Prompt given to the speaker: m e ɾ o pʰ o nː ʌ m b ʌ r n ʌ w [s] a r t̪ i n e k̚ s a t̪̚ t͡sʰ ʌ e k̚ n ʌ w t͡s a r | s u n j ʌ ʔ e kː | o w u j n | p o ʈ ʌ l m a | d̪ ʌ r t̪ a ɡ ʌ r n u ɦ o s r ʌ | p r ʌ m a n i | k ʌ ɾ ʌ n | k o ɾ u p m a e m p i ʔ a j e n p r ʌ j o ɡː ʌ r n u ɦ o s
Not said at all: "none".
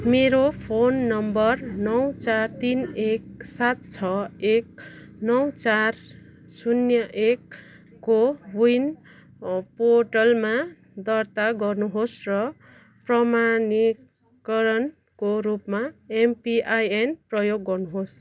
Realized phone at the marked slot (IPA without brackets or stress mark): t͡s